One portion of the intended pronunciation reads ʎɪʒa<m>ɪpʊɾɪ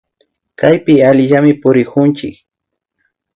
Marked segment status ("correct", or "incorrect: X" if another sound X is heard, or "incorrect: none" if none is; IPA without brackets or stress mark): correct